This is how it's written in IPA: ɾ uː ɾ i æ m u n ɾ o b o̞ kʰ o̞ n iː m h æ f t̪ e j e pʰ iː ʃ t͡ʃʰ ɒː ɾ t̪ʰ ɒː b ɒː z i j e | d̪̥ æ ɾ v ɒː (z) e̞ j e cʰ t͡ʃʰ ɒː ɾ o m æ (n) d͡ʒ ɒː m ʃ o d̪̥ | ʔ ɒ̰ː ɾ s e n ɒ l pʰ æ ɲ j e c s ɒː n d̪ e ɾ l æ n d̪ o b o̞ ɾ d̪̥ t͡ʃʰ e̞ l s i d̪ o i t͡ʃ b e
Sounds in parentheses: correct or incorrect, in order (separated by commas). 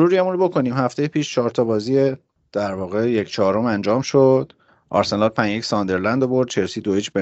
incorrect, correct